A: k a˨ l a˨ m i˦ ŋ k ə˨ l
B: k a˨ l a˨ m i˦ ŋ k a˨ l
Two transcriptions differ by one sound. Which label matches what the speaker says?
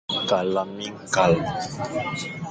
B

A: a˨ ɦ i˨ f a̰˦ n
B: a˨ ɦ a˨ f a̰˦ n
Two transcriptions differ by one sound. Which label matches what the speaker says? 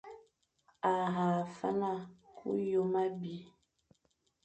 B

